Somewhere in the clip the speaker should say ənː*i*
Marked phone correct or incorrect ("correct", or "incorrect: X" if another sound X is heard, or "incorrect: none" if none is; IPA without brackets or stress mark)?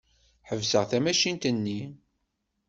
correct